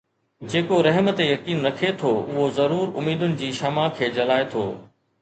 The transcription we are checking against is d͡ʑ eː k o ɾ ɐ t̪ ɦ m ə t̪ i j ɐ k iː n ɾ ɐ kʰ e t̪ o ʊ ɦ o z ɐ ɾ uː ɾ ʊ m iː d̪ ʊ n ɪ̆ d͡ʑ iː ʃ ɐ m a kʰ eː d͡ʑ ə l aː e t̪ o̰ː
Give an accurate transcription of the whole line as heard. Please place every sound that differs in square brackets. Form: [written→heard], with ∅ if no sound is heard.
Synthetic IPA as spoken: d͡ʑ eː k o ɾ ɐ [t̪→∅] ɦ m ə t̪ [i→e] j ɐ k iː n ɾ ɐ kʰ e [t̪→t̪ʰ] o ʊ ɦ o z ɐ ɾ uː ɾ ʊ m iː d̪ ʊ n ɪ̆ d͡ʑ iː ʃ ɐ m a kʰ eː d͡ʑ [ə→ɐ] l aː e [t̪→t̪ʰ] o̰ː